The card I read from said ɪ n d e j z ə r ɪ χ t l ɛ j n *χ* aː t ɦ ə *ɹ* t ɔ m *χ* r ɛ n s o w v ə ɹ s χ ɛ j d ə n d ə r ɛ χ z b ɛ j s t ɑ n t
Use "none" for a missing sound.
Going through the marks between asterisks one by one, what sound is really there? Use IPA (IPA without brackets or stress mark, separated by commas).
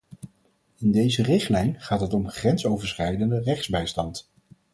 χ, none, χ